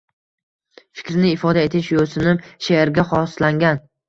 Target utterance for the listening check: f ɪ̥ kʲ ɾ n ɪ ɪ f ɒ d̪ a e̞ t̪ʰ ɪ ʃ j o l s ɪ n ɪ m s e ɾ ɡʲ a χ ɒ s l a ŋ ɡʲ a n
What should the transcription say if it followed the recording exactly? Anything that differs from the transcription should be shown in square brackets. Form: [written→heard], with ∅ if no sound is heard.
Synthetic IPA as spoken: f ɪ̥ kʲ ɾ n ɪ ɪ f ɒ d̪ a e̞ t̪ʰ ɪ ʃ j o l s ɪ n ɪ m [s→ʃ] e ɾ ɡʲ a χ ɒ s l a ŋ ɡʲ a n